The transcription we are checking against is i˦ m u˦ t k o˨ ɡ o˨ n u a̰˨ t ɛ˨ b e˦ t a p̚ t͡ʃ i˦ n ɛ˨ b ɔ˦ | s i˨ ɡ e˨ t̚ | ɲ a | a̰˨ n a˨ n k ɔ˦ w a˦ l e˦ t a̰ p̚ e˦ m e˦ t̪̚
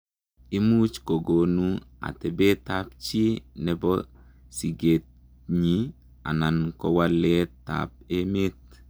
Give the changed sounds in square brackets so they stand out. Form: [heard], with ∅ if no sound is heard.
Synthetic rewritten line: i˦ m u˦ [t͡ʃ] k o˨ ɡ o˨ n u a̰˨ t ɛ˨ b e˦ t a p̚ t͡ʃ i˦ n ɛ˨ b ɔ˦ | s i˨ ɡ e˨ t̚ | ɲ [i] | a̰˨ n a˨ n k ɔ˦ w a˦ l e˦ t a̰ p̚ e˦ m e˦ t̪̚